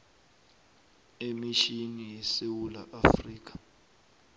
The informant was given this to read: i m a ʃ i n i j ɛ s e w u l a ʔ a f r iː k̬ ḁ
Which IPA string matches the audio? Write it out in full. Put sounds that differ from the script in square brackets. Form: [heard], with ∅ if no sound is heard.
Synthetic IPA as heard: [e] m [i] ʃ i n i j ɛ s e w u l a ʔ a f r iː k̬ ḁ